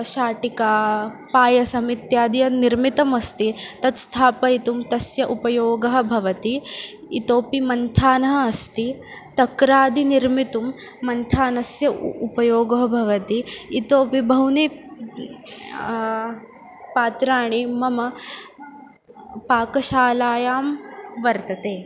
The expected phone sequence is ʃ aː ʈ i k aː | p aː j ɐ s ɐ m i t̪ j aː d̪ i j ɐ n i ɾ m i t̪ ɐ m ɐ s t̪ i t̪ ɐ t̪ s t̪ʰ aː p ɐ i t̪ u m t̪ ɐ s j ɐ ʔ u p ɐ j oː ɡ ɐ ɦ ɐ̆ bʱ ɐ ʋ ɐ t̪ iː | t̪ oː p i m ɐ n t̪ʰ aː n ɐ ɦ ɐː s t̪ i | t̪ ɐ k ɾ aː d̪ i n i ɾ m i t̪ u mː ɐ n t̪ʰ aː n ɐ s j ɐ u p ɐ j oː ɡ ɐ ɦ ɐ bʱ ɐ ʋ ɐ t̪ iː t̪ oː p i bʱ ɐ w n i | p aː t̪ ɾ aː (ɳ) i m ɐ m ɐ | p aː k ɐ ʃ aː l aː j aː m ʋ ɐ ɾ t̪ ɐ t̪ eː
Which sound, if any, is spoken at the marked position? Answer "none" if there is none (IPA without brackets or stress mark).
ɳ